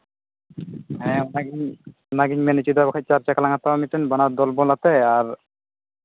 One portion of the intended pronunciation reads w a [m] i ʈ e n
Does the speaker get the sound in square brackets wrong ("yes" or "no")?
no